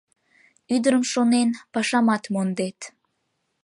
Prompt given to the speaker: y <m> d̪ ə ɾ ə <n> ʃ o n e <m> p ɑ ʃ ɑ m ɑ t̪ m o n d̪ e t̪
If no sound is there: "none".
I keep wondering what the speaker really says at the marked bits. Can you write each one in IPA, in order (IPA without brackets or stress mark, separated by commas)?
none, m, n